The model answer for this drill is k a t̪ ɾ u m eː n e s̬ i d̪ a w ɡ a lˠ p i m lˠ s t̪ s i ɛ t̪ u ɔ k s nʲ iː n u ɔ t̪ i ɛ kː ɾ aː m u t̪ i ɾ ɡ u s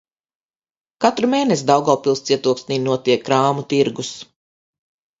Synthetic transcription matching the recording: k a t̪ ɾ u m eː n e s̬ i d̪ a w ɡ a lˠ p i lˠ s t̪ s i ɛ t̪ u ɔ k s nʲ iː n u ɔ t̪ i ɛ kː ɾ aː m u t̪ i ɾ ɡ u s